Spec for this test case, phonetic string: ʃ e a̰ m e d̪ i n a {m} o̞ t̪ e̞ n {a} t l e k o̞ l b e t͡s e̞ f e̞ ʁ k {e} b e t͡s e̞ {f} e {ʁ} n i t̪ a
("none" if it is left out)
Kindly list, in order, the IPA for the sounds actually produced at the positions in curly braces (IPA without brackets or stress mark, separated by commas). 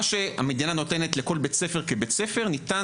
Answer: n, e, e, f, ʁ